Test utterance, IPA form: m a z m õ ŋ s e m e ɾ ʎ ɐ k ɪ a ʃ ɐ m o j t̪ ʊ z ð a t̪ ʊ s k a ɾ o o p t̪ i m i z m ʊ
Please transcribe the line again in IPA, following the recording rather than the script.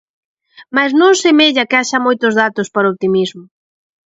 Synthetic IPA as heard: m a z n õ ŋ s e m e ʎ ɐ k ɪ a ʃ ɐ m o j t̪ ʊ z ð a t̪ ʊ s p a ɾ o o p t̪ i m i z m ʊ

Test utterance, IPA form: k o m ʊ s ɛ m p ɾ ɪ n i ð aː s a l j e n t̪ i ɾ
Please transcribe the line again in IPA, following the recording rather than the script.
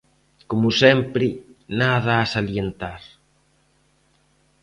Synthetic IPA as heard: k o m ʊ s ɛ m p ɾ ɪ n a ð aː s a l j e n t̪ a ɾ

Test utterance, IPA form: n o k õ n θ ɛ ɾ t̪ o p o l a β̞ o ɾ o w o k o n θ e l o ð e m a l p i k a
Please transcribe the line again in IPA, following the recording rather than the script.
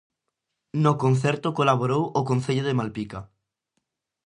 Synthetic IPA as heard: n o k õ n θ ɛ ɾ t̪ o k o l a β̞ o ɾ o w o k o n θ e ʎ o ð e m a l p i k a

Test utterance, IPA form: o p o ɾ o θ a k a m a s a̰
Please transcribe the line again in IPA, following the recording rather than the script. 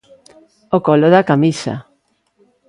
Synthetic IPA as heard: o k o l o ð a k a m i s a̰

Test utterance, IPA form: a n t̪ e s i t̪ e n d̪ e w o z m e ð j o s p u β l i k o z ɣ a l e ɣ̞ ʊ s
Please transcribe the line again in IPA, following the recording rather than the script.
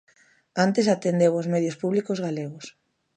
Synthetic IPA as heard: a n t̪ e s a t̪ e n d̪ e w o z m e ð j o s p u β l i k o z ɣ a l e ɣ̞ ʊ s

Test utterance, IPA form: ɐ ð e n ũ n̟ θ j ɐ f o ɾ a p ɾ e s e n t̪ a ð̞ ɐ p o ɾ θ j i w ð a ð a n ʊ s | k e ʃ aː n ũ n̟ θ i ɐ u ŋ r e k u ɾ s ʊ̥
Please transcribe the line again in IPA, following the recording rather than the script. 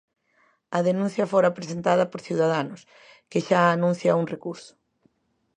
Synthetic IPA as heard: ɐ ð e n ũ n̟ θ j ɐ f o ɾ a p ɾ e s e n t̪ a ð̞ ɐ p o ɾ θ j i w ð a ð a n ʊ s | k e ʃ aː n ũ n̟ θ j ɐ u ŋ r e k u ɾ s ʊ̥

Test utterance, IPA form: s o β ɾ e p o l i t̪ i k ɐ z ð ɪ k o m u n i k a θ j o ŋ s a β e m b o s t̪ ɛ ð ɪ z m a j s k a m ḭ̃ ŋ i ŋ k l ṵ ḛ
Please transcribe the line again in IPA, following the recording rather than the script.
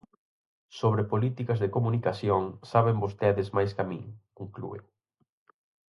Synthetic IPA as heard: s o β ɾ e p o l i t̪ i k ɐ z ð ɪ k o m u n i k a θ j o ŋ s a β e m b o s t̪ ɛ ð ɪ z m a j s k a m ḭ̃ ŋ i ŋ k l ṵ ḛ

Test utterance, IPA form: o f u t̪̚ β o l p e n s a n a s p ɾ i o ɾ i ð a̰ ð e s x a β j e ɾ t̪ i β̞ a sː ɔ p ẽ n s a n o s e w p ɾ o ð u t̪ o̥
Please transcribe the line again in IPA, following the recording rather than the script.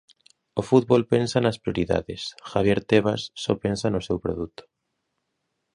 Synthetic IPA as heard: o f u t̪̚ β o l p e n s a n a s p ɾ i o ɾ i ð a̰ ð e s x a β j e ɾ t̪ e β̞ a sː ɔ p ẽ n s a n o s e w p ɾ o ð u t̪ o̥

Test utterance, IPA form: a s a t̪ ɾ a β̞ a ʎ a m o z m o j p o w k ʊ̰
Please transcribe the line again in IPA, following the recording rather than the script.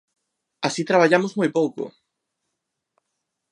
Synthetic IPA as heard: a s i t̪ ɾ a β̞ a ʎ a m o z m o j p o w k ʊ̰

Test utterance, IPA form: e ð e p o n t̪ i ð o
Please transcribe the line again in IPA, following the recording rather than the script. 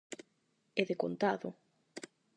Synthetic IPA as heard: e ð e k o n t̪ a ð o

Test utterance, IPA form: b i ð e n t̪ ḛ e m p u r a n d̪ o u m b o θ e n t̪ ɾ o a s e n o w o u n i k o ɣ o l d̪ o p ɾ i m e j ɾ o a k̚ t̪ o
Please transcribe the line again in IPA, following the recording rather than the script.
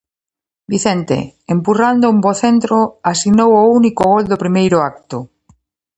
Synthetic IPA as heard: b i θ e n t̪ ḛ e m p u r a n d̪ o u m b o θ e n t̪ ɾ o a s i n o w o u n i k o ɣ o l d̪ o p ɾ i m e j ɾ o a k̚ t̪ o

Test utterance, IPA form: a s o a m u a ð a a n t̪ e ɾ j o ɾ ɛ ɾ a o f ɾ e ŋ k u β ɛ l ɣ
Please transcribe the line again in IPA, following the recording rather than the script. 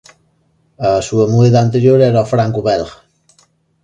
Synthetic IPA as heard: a s u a m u e ð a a n t̪ e ɾ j o ɾ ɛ ɾ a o f ɾ a ŋ k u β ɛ l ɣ

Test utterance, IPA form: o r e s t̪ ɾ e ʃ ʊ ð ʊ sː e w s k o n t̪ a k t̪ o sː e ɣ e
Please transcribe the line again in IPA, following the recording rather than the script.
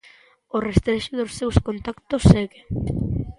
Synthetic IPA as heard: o r e s t̪ ɾ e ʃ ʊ ð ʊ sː e w s k o n t̪ a k t̪ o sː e ɣ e

